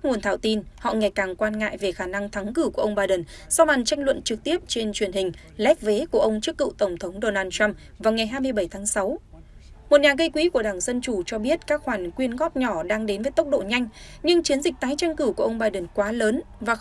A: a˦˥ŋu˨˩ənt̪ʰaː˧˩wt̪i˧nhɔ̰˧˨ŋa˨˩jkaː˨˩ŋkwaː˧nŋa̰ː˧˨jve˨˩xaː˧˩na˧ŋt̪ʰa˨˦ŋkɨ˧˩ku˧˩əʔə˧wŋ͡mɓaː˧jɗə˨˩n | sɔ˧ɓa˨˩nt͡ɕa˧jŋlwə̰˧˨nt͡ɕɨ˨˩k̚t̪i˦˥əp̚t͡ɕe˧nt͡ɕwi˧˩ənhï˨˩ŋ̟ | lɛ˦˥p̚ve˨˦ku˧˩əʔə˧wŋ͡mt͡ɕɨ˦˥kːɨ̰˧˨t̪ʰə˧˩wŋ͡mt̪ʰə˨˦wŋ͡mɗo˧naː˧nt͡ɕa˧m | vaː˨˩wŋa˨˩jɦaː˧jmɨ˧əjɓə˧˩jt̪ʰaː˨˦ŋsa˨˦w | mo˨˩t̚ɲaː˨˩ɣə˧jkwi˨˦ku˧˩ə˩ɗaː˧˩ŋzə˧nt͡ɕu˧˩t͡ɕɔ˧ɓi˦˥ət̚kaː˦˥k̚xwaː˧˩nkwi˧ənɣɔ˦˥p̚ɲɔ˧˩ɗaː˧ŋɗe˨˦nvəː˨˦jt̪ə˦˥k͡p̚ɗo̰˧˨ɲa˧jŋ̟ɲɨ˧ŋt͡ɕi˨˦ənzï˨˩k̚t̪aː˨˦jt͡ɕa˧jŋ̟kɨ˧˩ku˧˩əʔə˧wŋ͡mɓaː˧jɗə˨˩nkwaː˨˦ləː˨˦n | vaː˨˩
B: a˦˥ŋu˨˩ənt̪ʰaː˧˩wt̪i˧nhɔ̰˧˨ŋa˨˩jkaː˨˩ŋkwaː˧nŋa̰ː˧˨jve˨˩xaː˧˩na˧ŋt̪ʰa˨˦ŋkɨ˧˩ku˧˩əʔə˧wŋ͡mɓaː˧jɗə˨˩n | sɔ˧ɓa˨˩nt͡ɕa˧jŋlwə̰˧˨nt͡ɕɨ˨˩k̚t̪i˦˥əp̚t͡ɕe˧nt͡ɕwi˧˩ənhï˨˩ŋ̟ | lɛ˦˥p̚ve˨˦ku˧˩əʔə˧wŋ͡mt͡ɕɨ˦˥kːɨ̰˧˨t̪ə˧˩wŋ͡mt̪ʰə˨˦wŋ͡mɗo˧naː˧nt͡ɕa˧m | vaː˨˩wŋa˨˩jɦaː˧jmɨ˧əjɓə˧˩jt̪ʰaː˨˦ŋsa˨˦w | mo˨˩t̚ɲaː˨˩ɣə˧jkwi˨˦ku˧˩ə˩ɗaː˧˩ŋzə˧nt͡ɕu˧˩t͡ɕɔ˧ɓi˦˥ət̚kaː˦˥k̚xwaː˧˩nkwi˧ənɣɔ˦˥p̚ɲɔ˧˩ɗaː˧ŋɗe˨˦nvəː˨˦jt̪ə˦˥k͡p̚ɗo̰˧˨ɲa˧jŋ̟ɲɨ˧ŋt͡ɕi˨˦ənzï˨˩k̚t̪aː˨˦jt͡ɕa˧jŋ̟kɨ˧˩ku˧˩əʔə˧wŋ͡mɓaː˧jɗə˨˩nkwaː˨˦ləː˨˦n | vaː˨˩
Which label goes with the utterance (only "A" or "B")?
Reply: B